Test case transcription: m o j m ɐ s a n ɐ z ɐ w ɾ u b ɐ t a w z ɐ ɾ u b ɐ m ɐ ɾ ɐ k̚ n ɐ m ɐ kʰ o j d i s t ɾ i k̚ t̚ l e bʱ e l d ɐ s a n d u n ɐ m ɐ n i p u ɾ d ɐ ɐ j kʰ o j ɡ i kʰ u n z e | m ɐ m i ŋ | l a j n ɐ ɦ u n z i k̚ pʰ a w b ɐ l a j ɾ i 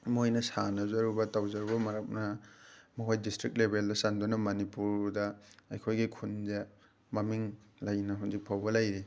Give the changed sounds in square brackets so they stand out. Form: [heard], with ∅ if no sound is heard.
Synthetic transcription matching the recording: m o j [n] ɐ s a n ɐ z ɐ [∅] ɾ u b ɐ t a w z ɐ ɾ u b ɐ m ɐ ɾ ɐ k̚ n ɐ m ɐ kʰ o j d i s t ɾ i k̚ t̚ l e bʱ e l d ɐ s a n d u n ɐ m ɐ n i p u ɾ d ɐ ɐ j kʰ o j ɡ i kʰ u n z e | m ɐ m i ŋ | l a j n ɐ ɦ u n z i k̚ pʰ a w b ɐ l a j ɾ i